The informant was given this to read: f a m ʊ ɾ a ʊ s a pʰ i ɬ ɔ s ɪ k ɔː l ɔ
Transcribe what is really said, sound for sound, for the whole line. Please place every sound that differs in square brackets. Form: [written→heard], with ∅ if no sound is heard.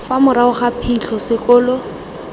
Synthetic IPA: f a m ʊ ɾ a ʊ [s→χ] a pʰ i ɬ ɔ s ɪ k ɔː l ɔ